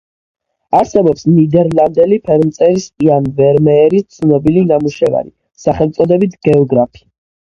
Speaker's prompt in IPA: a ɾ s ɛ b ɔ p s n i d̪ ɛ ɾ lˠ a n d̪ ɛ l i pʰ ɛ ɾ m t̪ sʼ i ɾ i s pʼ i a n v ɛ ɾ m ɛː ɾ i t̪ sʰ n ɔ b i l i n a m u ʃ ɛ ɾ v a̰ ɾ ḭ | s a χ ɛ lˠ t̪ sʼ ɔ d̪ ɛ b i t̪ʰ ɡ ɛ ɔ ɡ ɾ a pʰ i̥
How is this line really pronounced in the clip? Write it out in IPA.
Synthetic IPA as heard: a ɾ s ɛ b ɔ p s n i d̪ ɛ ɾ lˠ a n d̪ ɛ l i pʰ ɛ ɾ m t̪ sʼ ɛ ɾ i s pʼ i a n v ɛ ɾ m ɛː ɾ i t̪ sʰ n ɔ b i l i n a m u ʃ ɛ v a̰ ɾ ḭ | s a χ ɛ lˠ t̪ sʼ ɔ d̪ ɛ b i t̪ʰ ɡ ɛ ɔ ɡ ɾ a pʰ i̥